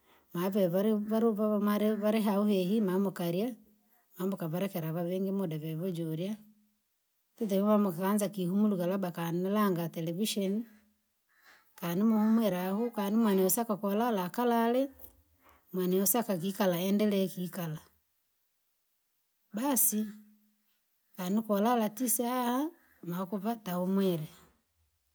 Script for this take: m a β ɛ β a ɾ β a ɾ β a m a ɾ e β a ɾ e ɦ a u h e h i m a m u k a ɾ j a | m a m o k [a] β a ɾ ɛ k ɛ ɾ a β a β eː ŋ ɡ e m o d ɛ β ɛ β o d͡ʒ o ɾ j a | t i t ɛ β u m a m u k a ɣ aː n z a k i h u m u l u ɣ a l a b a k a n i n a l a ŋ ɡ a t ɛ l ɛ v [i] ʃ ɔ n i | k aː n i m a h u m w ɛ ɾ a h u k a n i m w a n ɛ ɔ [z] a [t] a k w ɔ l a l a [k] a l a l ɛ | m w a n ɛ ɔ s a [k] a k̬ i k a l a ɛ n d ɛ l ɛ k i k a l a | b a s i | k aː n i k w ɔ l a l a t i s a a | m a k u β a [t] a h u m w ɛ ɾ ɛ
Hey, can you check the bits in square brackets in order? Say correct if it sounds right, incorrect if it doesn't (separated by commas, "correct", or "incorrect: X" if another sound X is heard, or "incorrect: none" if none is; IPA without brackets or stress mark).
correct, correct, incorrect: s, incorrect: k, correct, correct, correct